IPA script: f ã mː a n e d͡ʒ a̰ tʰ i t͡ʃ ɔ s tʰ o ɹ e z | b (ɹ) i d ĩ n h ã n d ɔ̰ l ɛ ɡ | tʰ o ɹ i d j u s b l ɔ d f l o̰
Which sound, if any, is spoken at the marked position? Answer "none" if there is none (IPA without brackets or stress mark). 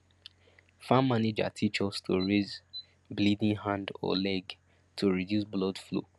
l